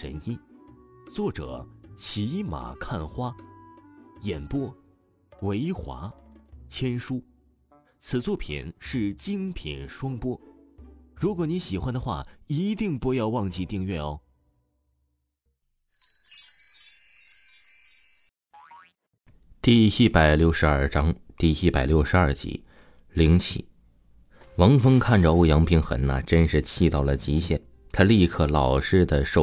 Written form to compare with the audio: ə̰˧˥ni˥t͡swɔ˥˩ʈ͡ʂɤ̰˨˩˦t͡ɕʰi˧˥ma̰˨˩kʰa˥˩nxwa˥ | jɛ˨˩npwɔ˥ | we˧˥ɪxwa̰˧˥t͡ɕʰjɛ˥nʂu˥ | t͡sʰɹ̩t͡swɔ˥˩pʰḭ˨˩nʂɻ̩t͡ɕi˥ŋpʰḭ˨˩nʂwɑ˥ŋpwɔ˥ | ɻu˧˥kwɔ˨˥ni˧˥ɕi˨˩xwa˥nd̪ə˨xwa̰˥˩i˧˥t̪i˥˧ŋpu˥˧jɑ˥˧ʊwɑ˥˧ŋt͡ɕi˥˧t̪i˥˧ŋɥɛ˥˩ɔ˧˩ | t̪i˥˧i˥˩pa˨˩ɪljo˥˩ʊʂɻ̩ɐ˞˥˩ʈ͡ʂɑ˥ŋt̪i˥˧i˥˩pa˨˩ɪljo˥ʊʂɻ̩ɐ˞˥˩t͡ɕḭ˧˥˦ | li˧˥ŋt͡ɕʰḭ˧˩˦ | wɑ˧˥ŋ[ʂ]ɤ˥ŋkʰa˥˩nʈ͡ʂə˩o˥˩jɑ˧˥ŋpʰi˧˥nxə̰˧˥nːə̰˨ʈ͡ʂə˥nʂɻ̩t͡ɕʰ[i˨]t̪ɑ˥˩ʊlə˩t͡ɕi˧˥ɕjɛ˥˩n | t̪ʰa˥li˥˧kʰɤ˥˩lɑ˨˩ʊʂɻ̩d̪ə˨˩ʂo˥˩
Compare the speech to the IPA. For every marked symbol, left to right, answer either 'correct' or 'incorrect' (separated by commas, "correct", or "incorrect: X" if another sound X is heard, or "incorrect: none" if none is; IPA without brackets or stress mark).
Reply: incorrect: f, incorrect: i˥˧